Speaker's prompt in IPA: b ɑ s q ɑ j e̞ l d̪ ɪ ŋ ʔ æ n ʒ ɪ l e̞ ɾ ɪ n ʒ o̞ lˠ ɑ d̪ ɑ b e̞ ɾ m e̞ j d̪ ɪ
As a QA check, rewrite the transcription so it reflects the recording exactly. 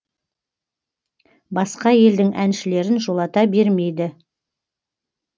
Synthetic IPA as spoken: b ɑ s q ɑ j e̞ l d̪ ɪ ŋ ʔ æ n ʃ ɪ l e̞ ɾ ɪ n ʒ o̞ lˠ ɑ t̪ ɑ b e̞ ɾ m e̞ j d̪ ɪ